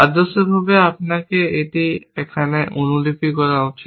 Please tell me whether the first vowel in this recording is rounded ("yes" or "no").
no